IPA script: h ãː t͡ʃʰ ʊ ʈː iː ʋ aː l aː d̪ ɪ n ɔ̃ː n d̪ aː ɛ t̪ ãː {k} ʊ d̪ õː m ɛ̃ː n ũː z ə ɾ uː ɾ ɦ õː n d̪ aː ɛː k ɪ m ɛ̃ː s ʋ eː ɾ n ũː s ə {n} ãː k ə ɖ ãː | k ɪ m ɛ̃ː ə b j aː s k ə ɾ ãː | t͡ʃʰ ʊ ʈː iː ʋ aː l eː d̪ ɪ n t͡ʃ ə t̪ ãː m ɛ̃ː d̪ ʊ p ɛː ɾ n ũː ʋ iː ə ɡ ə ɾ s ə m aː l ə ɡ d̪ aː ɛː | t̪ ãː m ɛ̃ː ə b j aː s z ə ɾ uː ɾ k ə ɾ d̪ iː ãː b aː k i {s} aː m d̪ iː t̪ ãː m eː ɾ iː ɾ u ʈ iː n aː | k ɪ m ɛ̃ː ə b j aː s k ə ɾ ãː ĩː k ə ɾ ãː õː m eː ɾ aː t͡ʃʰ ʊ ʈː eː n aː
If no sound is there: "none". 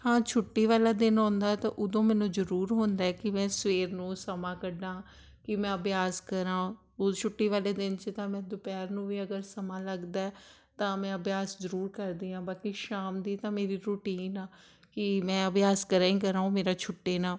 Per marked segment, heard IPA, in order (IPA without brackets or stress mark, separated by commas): ʔ, m, ʃ